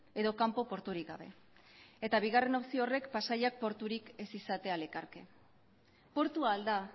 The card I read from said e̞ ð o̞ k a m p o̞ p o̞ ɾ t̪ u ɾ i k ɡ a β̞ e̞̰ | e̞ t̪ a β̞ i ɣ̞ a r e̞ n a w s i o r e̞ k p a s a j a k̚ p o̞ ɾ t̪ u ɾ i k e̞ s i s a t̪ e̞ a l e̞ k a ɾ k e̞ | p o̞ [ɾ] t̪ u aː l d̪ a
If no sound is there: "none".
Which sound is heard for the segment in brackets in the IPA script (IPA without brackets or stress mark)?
ɾ